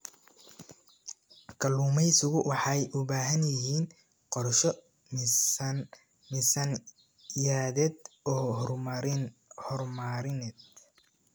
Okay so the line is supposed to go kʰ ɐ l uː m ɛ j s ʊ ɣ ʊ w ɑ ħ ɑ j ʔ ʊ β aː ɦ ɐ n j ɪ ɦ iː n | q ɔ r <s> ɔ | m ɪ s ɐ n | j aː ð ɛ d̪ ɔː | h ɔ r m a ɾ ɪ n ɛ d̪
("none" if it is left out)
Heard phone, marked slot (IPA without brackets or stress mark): ʃ